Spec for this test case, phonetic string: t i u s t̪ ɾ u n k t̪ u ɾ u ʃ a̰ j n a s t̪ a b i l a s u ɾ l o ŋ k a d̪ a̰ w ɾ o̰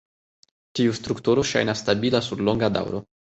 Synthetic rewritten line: t i u s t̪ ɾ u k t̪ u ɾ o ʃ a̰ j n a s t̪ a b i l a s u ɾ l o ŋ ɡ a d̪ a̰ w ɾ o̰